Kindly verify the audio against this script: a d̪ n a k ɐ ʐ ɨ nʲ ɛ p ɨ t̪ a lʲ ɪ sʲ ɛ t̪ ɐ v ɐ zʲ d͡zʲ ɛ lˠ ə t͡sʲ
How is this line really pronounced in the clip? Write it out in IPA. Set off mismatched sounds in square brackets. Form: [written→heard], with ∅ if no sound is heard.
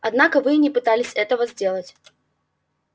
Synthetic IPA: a d̪ n a k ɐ [ʐ→v] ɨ nʲ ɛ p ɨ t̪ a lʲ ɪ sʲ ɛ t̪ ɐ v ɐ zʲ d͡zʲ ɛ lˠ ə t͡sʲ